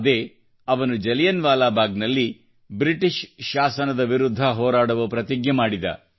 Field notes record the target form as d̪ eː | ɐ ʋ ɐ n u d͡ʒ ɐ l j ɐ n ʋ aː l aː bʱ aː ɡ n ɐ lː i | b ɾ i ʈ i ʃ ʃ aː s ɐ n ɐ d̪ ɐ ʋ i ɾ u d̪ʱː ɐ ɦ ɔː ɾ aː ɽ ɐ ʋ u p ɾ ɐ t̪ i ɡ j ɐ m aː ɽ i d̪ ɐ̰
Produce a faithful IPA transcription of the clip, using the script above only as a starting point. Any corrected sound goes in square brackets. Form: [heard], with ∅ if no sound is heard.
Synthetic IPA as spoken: d̪ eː | ɐ ʋ ɐ n u d͡ʒ ɐ l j ɐ n ʋ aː l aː bʱ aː ɡ n ɐ lː i | b ɾ i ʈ i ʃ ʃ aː s ɐ n ɐ d̪ ɐ ʋ i ɾ u d̪ʱː ɐ ɦ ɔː ɾ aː ɽ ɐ ʋ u p ɾ ɐ t̪ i ɡ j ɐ m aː ɽ i d̪ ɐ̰

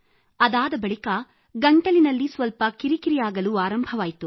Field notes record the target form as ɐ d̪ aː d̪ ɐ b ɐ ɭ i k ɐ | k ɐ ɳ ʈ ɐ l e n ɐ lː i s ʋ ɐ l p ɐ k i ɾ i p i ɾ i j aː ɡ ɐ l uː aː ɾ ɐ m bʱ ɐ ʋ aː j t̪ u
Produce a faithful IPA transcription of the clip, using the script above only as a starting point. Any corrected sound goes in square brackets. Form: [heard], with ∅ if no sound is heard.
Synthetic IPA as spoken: ɐ d̪ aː d̪ ɐ b ɐ ɭ i k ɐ | [ɡ] ɐ ɳ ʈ ɐ l [i] n ɐ lː i s ʋ ɐ l p ɐ k i ɾ i [k] i ɾ i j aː ɡ ɐ l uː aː ɾ ɐ m bʱ ɐ ʋ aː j t̪ u

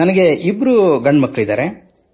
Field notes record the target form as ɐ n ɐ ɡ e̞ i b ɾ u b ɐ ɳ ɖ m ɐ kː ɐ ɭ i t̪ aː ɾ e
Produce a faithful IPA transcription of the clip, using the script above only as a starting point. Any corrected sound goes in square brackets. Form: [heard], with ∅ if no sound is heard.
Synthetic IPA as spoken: ɐ n ɐ ɡ e̞ i b ɾ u [ɡ] ɐ ɳ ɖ m ɐ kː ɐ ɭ i [d̪] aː ɾ e

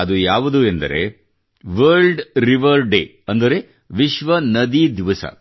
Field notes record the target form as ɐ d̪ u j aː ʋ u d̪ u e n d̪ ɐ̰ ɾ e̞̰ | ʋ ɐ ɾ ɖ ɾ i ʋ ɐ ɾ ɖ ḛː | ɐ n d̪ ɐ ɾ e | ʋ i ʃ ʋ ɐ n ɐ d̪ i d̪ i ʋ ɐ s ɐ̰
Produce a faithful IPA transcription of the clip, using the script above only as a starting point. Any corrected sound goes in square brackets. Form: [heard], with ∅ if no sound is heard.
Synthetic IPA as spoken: ɐ d̪ u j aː ʋ u d̪ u e n d̪ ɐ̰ ɾ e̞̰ | ʋ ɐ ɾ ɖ ɾ i ʋ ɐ ɾ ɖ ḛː | ɐ n d̪ ɐ ɾ e | ʋ i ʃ ʋ ɐ n ɐ d̪ i d̪ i ʋ ɐ s ɐ̰

